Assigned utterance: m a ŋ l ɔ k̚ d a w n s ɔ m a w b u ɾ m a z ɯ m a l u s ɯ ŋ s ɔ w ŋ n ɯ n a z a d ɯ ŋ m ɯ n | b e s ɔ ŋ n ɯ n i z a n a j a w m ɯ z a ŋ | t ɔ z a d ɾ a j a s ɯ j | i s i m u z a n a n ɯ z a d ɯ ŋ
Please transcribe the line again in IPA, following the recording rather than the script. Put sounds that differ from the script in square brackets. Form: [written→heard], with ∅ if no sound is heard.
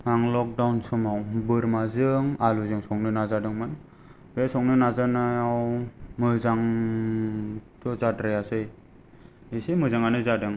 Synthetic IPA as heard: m a ŋ l ɔ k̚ d a w n s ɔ m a w b [u→ɯ] ɾ m a z ɯ [m→ŋ] a l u [s→z] ɯ ŋ s ɔ [w→∅] ŋ n ɯ n a z a d ɯ ŋ m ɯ n | b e s ɔ ŋ n ɯ n [i→a] z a n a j a w m ɯ z a ŋ | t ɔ z a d ɾ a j a s ɯ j | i s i m [u→ɯ] z a [n→ŋ] a n ɯ z a d ɯ ŋ